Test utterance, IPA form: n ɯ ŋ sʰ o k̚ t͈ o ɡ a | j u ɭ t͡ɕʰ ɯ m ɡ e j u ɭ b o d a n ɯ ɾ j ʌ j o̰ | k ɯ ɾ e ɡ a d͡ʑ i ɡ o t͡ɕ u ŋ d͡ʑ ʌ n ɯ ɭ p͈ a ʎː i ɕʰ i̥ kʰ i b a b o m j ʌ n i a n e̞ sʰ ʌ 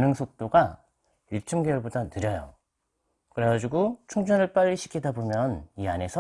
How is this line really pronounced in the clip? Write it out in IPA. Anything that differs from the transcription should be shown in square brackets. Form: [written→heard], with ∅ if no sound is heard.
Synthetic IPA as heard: n ɯ ŋ sʰ o k̚ t͈ o ɡ a | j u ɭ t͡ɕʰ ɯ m ɡ e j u ɭ b o d a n ɯ ɾ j ʌ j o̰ | k ɯ ɾ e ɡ a d͡ʑ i ɡ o [t͡ɕ→t͡ɕʰ] u ŋ d͡ʑ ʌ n ɯ ɭ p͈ a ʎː i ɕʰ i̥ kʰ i [b→d] a b o m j ʌ n i a n e̞ sʰ ʌ